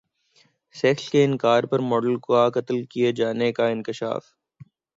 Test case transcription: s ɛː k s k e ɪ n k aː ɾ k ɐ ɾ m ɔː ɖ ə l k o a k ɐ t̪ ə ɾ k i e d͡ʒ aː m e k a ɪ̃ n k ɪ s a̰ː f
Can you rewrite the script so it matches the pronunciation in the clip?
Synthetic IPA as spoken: s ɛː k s k e ɪ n k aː ɾ p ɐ ɾ m ɔː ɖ ə l k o a k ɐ t̪ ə l k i e d͡ʒ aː n e k a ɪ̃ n k ɪ ʃ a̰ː f